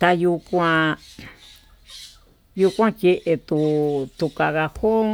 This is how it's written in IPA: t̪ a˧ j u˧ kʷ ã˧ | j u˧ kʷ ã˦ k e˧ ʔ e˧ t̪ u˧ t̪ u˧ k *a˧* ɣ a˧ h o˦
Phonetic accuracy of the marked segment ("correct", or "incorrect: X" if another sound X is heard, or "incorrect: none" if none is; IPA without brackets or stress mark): correct